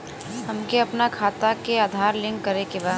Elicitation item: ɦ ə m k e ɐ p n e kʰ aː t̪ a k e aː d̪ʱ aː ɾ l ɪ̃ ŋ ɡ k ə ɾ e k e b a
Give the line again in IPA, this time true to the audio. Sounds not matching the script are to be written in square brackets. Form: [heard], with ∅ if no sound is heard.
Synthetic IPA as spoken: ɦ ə m k e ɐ p n [a] kʰ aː t̪ a k e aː d̪ʱ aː ɾ l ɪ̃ ŋ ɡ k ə ɾ e k e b a